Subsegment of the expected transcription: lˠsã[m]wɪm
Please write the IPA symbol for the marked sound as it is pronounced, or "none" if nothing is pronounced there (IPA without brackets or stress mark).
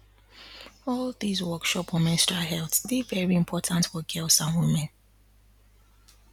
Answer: n